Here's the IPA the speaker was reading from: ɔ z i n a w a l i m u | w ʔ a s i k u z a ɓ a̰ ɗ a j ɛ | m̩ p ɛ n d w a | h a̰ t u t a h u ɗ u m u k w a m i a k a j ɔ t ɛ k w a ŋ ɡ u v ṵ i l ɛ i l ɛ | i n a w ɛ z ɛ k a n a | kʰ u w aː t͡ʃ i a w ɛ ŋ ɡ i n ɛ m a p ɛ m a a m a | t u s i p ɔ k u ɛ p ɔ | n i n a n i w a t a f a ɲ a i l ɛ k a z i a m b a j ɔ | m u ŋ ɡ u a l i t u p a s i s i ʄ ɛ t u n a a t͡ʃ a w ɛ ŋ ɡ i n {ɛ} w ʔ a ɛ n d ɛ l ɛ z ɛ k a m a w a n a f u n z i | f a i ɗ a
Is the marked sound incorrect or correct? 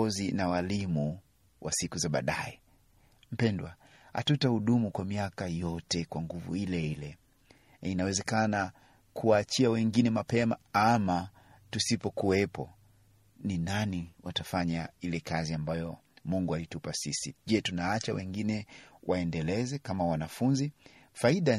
correct